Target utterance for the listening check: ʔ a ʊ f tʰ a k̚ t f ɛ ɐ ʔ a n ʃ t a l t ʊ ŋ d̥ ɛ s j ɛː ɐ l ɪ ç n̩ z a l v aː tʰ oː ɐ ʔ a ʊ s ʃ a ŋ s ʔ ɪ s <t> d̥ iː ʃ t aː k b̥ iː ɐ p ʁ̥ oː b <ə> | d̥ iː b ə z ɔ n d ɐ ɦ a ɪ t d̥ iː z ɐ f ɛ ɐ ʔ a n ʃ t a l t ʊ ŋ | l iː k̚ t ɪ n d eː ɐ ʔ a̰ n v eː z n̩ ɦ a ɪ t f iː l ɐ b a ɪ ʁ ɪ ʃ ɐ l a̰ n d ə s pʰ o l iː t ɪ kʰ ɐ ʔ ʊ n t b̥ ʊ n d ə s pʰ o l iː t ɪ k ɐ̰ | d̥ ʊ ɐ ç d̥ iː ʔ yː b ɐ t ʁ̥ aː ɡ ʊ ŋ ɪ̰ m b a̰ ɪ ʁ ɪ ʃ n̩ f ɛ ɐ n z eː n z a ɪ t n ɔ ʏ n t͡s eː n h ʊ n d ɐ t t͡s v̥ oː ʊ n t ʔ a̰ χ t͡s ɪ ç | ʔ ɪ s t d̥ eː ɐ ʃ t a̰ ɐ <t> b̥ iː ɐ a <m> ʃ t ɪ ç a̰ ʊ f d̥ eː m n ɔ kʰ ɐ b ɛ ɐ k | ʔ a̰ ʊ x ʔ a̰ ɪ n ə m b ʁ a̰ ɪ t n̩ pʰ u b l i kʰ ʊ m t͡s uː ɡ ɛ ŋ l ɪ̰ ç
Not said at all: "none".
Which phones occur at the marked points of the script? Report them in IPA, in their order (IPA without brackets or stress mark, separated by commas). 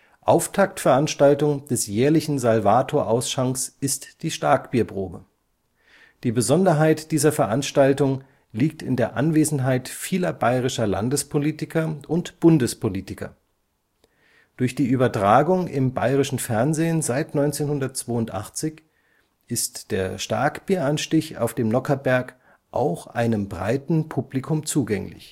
t, ə, k, n